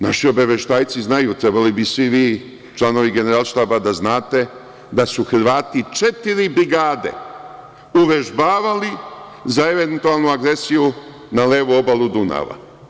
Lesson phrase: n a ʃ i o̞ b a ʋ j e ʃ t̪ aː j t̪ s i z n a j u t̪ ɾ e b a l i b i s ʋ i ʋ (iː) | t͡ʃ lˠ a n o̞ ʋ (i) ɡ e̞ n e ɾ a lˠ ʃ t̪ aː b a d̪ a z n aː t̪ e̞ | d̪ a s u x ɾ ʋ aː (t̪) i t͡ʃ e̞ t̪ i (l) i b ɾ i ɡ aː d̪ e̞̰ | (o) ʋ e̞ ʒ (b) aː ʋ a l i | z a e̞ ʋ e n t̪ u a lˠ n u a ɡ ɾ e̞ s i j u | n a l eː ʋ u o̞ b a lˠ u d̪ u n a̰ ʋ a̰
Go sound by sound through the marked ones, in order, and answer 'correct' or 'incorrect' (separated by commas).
correct, correct, correct, incorrect, incorrect, correct